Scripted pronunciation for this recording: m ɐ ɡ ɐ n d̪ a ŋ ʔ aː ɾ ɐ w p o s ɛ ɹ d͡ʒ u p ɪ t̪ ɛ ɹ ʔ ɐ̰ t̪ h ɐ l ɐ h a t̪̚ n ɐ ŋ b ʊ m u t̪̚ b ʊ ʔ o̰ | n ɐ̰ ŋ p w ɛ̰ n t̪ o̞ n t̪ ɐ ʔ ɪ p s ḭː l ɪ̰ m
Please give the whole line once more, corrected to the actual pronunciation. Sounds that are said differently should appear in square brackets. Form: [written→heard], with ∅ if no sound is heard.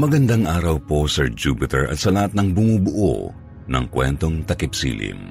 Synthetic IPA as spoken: m ɐ ɡ ɐ n d̪ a ŋ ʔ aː ɾ ɐ w p o s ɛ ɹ d͡ʒ u p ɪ t̪ ɛ ɹ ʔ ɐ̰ t̪ [h→s] ɐ l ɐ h a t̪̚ n ɐ ŋ b ʊ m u [t̪̚→∅] b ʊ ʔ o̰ | n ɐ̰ ŋ [p→k] w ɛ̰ n t̪ o̞ [n→ŋ] t̪ ɐ [ʔ→k] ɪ p s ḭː l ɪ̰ m